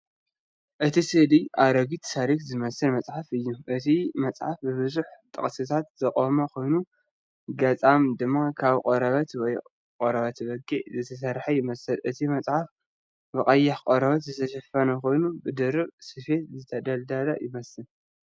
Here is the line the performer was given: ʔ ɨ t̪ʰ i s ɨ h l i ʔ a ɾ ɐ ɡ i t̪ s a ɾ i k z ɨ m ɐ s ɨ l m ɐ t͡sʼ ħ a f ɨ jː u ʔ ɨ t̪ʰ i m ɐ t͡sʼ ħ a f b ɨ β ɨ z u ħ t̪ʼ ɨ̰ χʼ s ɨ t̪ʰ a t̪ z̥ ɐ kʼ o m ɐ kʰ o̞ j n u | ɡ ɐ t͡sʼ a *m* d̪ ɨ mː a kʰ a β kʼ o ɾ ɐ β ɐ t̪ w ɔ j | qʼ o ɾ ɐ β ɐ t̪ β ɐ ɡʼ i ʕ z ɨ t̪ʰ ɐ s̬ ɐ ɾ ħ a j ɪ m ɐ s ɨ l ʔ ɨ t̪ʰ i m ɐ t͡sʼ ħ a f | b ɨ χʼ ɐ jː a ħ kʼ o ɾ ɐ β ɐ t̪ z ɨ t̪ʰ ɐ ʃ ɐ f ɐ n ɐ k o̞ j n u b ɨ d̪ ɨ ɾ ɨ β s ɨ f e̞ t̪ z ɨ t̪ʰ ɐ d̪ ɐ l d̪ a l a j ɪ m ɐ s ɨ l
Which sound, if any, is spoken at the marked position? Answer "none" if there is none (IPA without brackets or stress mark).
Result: m